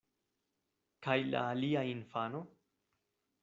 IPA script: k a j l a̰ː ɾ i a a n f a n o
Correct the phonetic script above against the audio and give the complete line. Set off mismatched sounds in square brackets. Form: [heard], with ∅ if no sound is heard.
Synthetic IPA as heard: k a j l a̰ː [l] i a [i] n f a n o